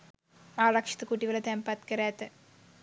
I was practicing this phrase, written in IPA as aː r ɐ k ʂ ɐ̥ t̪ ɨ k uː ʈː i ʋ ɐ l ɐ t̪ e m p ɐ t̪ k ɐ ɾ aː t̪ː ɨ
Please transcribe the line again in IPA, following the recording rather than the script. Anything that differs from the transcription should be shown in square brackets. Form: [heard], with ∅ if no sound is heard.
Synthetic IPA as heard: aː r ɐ k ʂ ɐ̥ t̪ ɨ k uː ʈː i ʋ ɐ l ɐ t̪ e m p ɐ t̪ k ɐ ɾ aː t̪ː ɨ